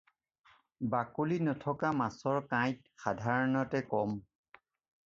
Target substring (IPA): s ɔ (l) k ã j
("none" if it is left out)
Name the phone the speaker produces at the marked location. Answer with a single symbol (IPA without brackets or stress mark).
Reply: ɹ